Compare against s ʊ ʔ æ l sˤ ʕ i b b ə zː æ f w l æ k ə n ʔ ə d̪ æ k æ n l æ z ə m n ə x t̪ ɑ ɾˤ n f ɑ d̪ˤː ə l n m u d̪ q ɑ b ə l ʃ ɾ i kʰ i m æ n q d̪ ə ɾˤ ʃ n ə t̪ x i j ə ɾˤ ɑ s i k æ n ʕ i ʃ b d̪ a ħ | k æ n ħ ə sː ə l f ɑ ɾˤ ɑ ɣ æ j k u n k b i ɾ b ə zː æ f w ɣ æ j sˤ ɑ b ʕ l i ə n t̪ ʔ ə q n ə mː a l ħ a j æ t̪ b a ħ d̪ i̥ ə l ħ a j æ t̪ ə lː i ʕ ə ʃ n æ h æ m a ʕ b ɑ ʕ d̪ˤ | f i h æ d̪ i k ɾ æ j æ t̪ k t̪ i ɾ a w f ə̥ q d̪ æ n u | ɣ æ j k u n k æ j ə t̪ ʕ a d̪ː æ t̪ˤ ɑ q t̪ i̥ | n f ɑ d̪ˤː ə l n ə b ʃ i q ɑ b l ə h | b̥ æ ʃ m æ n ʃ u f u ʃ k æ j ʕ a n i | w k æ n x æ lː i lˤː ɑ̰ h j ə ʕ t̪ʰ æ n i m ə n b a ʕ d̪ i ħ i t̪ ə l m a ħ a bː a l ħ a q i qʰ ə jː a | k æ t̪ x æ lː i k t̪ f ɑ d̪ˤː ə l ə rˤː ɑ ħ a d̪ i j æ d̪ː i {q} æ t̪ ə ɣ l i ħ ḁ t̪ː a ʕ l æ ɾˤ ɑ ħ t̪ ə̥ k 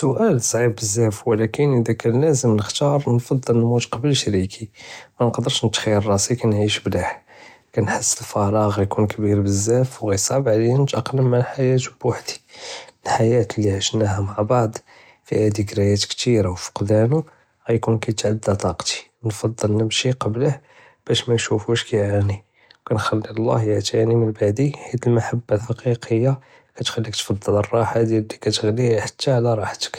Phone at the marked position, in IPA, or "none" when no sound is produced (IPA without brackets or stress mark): k